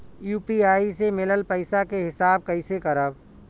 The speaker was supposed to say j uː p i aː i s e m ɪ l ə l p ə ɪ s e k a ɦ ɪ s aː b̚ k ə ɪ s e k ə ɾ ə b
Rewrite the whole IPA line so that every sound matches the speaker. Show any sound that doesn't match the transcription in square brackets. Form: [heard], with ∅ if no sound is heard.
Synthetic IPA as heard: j uː p i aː i s e m ɪ l ə l p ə ɪ s [a] k [e] ɦ ɪ s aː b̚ k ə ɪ s e k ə ɾ ə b